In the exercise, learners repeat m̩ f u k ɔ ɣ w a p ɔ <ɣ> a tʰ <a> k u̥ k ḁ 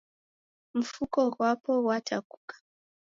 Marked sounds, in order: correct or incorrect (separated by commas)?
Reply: incorrect, correct